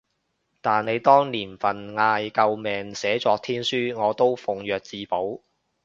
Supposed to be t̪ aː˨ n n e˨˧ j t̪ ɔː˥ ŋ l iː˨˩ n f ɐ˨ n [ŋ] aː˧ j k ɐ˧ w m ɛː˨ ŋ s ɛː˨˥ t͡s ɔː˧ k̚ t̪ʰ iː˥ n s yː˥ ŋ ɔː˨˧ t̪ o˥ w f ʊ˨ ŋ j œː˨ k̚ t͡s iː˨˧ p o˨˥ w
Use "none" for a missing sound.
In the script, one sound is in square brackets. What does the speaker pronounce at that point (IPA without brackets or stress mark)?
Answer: ŋ